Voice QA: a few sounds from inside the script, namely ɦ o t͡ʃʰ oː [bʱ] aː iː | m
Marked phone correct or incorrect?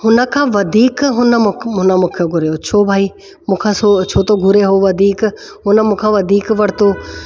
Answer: correct